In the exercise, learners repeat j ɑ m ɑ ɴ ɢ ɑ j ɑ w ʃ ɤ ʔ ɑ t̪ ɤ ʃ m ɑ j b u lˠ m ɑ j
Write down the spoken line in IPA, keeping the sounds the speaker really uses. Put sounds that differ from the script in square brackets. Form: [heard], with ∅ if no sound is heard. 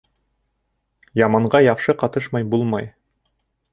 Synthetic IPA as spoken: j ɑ m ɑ ɴ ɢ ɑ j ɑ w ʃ ɤ [q] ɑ t̪ ɤ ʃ m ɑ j b u lˠ m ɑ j